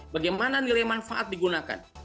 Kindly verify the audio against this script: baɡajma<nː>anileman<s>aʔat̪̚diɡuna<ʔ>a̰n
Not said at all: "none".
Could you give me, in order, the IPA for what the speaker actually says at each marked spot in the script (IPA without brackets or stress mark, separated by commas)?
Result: n, f, k